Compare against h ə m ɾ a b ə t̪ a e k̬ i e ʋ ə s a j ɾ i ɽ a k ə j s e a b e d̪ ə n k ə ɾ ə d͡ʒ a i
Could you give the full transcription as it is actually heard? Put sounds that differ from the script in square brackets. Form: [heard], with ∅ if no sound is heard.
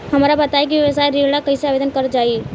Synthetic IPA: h ə m ɾ a b ə t̪ a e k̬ i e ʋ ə s a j ɾ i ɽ a k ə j s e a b e d̪ ə n k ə ɾ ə d͡ʒ a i